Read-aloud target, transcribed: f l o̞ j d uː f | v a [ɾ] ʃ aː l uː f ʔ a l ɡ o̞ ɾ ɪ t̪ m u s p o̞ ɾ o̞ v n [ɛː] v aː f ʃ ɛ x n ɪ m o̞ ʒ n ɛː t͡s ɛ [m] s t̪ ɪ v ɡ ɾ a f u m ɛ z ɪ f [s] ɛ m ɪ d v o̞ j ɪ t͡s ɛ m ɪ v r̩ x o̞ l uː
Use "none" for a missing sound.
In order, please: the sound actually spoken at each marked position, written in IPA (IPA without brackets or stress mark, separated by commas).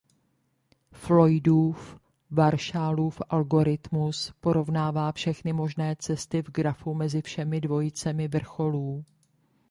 ɾ, aː, none, ʃ